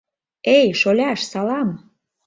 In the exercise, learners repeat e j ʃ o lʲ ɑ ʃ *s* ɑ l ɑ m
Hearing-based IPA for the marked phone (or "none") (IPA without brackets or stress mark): s